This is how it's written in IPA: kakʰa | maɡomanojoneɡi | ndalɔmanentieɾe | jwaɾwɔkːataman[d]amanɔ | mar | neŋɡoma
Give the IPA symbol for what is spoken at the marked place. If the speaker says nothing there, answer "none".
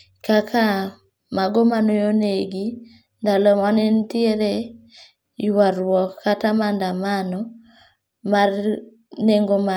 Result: d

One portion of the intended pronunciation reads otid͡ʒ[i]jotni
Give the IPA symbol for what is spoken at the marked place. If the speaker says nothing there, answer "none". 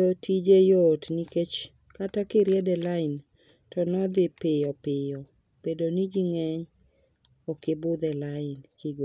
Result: e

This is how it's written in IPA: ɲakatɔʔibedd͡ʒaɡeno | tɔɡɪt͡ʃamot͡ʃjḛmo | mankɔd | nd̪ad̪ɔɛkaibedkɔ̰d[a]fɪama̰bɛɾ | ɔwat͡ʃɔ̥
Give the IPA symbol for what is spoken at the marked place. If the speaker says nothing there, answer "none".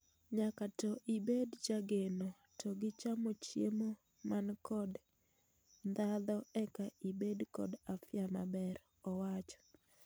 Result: a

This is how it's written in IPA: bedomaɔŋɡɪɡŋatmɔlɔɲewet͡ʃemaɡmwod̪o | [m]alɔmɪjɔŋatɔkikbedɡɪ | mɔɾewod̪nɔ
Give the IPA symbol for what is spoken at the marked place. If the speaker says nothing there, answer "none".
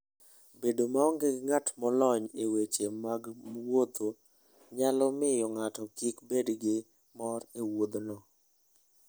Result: ɲ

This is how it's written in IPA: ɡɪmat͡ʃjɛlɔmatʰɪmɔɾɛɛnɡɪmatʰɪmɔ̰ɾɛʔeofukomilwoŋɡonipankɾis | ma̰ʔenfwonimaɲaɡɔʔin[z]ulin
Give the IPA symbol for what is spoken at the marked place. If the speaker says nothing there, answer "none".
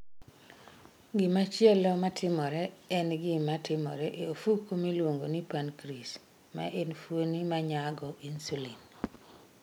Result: s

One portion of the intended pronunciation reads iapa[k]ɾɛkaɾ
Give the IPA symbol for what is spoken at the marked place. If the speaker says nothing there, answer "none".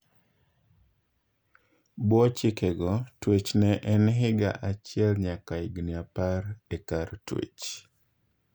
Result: none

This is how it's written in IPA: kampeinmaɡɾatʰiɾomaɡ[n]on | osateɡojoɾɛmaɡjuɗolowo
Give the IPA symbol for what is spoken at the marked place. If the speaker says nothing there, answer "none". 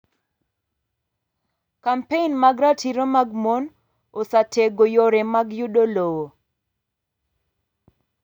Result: m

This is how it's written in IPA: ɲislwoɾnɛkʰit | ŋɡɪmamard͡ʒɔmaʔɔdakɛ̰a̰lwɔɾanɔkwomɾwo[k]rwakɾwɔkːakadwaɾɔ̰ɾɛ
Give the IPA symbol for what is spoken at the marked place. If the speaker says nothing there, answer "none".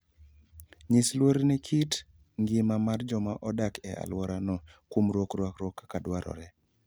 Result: k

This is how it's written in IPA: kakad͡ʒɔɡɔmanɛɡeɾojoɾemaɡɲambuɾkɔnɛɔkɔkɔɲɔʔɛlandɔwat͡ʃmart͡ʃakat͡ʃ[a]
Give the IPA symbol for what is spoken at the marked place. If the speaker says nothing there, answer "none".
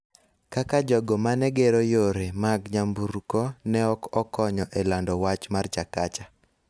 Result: a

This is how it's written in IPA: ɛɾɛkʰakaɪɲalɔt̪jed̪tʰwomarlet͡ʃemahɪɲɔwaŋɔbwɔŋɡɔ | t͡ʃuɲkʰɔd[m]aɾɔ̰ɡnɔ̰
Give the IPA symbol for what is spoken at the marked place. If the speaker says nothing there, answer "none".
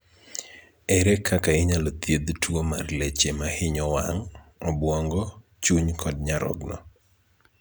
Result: ɲ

